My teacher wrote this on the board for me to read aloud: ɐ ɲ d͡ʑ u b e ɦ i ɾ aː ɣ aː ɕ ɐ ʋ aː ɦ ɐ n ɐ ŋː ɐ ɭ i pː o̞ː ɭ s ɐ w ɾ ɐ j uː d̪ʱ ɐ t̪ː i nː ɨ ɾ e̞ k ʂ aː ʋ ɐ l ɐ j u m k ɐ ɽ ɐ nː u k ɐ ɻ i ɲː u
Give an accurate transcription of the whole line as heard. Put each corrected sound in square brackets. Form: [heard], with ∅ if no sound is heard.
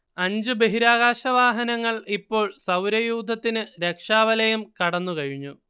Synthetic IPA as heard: ɐ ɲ d͡ʑ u b e ɦ i ɾ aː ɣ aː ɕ ɐ ʋ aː ɦ ɐ n ɐ ŋː ɐ ɭ i pː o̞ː ɭ s ɐ w ɾ ɐ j uː d̪ʱ ɐ t̪ː i [n] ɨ ɾ e̞ k ʂ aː ʋ ɐ l ɐ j u m k ɐ ɽ ɐ nː u k ɐ ɻ i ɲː u